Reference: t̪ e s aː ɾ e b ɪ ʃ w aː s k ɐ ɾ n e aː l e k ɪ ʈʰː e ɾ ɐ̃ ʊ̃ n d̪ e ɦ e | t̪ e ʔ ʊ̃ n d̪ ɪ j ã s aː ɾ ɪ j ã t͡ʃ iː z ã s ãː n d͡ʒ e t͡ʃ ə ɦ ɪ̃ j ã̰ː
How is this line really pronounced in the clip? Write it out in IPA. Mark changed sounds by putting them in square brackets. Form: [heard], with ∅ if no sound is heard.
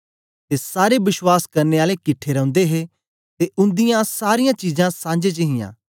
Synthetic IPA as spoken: t̪ e s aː ɾ e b ɪ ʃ w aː s k ɐ ɾ n e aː l e k ɪ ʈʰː e ɾ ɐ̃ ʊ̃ n d̪ e ɦ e | t̪ e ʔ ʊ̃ n d̪ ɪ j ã s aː ɾ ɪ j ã t͡ʃ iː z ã s ãː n d͡ʒ e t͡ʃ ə ɦ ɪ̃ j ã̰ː